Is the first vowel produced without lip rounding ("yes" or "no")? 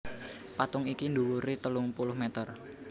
yes